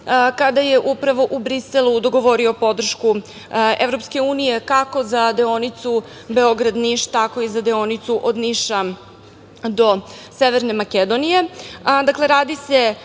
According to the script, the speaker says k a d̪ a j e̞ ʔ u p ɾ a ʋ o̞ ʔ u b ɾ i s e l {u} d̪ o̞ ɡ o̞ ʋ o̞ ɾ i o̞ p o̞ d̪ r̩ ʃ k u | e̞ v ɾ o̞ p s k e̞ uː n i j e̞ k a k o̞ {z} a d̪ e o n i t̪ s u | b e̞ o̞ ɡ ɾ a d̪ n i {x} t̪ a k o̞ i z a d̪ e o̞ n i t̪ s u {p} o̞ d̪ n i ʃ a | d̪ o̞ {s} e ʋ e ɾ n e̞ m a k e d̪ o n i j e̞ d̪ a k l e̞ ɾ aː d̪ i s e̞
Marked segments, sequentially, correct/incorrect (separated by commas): correct, correct, incorrect, incorrect, correct